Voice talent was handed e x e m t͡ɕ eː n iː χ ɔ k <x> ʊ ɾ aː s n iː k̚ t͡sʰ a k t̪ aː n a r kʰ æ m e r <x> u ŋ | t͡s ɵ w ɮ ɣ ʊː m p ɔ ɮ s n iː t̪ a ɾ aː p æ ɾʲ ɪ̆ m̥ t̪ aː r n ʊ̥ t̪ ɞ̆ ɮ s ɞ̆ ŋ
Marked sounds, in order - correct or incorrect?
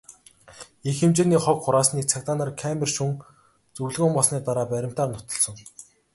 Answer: incorrect: χ, incorrect: ʃ

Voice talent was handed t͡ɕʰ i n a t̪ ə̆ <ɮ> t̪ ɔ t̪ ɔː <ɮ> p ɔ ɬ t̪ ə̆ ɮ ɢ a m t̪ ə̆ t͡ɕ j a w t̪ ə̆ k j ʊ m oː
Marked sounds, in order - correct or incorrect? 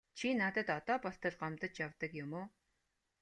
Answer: incorrect: none, incorrect: none

